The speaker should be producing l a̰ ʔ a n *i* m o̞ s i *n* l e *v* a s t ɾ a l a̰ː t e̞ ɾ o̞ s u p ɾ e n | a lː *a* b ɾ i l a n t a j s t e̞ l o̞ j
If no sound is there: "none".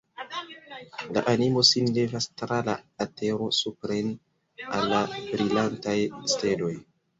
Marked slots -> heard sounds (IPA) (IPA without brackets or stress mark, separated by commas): i, n, v, a